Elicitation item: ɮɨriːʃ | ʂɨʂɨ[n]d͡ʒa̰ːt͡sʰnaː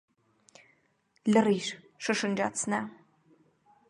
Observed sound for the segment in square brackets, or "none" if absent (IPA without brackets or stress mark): n